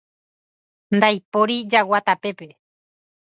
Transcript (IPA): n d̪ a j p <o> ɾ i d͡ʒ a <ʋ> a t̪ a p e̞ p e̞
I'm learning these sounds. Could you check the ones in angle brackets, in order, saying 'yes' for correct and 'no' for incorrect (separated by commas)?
yes, no